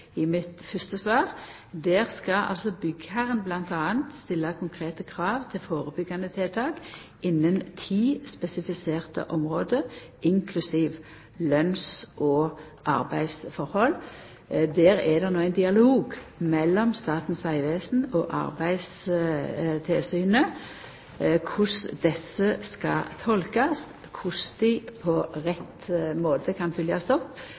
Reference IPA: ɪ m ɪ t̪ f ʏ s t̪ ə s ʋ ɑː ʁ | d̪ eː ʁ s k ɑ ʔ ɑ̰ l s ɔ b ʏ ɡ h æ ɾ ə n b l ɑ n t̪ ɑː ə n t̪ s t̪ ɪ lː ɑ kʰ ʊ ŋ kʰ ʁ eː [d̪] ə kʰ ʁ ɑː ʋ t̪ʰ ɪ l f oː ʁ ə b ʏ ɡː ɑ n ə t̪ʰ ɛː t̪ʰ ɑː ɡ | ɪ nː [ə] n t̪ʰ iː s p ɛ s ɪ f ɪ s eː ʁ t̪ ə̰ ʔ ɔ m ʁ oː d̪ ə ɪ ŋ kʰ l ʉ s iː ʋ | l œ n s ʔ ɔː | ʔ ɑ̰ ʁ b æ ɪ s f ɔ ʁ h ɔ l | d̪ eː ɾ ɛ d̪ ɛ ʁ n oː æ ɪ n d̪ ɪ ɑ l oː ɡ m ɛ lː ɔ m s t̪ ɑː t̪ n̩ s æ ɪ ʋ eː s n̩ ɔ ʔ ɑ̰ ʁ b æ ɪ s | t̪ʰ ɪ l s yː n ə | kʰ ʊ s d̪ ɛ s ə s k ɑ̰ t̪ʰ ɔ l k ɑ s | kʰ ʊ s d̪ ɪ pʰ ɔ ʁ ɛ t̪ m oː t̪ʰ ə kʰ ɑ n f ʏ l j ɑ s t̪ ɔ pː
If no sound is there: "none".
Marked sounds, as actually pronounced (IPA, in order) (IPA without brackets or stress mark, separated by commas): t̪, ə